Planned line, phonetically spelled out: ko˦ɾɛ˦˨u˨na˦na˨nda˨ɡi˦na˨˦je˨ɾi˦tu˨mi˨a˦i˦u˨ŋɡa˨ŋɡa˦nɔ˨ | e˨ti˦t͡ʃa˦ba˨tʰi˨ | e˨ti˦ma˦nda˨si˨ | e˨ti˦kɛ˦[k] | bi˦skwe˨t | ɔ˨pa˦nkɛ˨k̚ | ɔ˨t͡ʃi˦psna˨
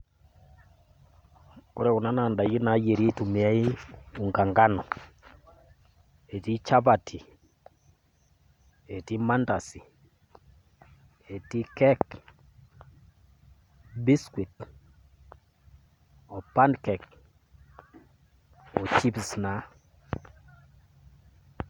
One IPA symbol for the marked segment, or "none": k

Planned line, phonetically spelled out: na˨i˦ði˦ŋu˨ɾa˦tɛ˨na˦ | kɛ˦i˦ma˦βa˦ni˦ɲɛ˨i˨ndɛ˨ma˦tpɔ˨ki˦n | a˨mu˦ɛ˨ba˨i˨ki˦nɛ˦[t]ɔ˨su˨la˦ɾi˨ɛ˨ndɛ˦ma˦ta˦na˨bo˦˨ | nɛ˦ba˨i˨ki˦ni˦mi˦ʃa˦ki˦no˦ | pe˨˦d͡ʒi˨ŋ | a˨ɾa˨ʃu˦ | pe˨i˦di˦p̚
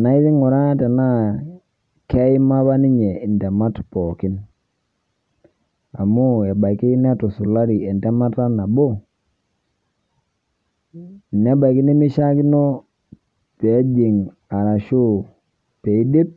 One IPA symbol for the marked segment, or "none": t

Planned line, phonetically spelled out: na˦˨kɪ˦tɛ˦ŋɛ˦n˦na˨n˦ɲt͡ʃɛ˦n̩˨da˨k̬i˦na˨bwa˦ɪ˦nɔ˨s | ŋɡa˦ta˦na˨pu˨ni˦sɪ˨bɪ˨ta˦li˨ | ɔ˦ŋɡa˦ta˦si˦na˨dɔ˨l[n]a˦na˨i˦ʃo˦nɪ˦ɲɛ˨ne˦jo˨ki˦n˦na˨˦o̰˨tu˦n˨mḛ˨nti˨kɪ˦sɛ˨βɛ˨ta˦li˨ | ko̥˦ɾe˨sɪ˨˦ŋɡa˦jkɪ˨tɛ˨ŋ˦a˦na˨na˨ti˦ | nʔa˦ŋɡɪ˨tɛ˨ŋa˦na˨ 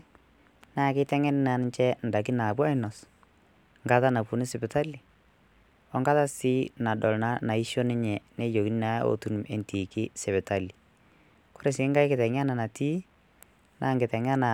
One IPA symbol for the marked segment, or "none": n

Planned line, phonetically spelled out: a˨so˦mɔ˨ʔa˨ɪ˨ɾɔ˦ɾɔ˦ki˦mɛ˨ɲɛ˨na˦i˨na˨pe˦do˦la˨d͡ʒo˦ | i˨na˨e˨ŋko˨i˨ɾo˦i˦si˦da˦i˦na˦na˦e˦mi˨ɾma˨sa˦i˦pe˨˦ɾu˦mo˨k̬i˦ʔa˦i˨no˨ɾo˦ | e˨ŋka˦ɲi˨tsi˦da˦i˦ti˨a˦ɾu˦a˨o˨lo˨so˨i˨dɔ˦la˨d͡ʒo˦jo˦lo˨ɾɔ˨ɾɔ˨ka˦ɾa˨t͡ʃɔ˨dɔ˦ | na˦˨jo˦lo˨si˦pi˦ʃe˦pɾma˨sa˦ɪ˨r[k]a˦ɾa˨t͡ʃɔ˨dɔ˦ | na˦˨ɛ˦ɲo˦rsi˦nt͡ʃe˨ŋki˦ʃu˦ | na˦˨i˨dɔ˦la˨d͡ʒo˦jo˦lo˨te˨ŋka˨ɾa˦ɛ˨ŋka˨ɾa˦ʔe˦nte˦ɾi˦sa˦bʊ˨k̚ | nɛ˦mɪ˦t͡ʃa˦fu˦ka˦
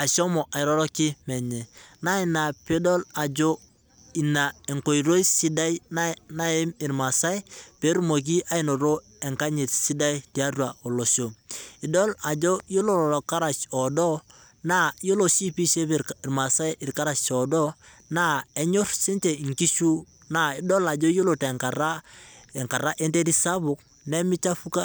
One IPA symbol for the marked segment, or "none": k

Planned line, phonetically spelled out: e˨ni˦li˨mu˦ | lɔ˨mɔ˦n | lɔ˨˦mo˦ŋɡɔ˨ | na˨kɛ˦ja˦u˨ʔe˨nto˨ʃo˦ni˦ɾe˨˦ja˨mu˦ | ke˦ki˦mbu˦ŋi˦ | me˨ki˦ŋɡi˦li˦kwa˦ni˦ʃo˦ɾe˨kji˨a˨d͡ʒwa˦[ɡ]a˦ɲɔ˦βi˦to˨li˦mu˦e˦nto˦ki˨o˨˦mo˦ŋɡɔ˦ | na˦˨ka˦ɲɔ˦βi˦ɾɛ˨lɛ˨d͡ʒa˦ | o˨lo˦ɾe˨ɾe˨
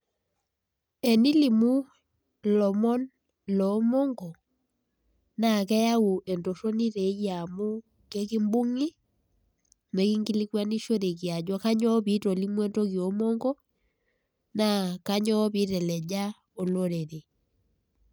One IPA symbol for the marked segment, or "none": k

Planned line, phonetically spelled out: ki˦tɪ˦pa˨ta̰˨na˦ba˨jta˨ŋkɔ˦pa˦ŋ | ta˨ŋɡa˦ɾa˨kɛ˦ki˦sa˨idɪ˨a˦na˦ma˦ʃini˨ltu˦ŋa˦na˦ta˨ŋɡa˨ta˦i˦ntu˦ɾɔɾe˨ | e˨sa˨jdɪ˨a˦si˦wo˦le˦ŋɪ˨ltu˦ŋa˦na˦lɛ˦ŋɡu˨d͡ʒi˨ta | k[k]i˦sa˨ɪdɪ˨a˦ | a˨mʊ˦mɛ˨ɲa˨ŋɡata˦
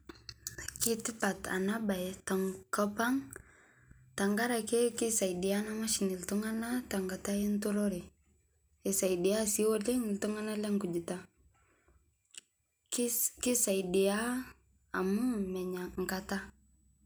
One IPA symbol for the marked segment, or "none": k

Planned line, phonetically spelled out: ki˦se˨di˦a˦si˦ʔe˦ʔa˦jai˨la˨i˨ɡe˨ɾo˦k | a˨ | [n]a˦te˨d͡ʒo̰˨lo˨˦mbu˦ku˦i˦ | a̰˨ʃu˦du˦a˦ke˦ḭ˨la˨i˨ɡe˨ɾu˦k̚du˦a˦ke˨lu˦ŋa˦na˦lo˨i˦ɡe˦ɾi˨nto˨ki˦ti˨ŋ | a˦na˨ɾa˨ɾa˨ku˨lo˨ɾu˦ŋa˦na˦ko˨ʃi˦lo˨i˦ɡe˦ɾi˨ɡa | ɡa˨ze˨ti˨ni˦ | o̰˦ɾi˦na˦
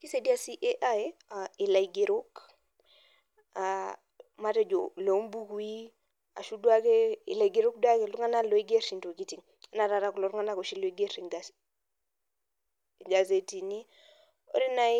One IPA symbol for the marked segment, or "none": m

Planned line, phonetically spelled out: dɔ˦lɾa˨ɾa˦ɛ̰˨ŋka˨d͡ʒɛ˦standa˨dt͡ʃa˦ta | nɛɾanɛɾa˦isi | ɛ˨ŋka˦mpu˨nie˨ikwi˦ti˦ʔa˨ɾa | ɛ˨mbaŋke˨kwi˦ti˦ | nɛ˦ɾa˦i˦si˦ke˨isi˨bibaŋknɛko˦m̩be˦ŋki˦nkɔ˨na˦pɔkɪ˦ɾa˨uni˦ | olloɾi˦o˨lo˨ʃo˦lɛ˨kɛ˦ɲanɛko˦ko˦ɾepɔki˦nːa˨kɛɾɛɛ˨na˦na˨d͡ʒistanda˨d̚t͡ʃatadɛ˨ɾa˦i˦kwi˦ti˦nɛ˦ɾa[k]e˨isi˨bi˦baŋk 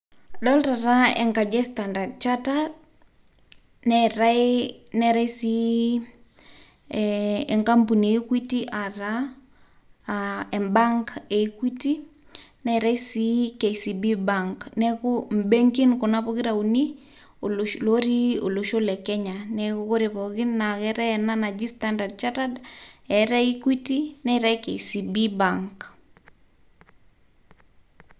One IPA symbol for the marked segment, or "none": k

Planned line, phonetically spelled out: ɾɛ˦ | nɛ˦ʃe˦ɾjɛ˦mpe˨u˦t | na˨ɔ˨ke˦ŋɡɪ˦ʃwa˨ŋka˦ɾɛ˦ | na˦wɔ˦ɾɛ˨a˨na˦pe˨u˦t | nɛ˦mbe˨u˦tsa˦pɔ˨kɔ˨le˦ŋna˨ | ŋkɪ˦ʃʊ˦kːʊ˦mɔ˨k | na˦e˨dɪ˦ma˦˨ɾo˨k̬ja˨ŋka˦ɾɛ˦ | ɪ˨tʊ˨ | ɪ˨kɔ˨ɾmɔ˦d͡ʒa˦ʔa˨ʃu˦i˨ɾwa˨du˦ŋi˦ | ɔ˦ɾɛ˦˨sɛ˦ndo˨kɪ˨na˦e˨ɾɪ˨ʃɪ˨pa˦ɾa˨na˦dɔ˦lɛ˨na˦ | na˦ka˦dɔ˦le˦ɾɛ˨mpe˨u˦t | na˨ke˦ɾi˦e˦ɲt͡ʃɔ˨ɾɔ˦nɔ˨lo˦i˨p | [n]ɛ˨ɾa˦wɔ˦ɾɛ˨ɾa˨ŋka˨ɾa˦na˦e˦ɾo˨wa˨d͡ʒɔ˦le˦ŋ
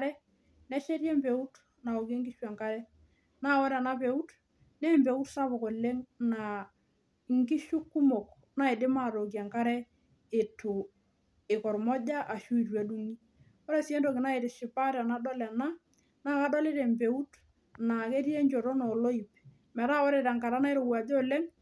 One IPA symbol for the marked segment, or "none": m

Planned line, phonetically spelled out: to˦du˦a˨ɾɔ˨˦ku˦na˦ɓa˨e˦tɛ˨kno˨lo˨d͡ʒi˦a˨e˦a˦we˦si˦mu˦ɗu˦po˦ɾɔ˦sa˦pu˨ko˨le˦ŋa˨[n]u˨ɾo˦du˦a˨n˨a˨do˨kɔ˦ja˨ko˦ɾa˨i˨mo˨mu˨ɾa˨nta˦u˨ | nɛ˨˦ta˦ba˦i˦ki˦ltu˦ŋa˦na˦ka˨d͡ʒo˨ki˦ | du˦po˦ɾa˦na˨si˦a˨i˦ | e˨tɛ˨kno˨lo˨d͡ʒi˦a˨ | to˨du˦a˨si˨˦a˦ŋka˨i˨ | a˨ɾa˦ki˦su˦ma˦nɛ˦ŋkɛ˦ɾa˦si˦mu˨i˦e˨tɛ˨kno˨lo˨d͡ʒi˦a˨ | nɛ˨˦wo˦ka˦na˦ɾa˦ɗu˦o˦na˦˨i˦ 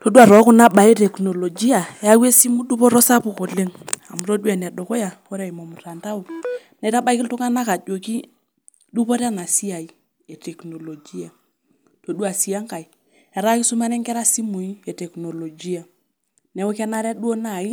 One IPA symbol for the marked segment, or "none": m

